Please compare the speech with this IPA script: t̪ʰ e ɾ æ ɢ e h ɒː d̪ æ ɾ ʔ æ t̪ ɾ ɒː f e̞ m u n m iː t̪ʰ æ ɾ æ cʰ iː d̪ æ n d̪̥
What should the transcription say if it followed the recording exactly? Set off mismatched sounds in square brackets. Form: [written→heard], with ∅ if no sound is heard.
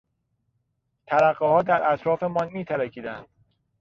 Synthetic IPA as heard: t̪ʰ [e→æ] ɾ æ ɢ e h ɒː d̪ æ ɾ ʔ æ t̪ ɾ ɒː f e̞ m [u→ɒ] n m iː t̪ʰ æ ɾ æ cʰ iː d̪ æ n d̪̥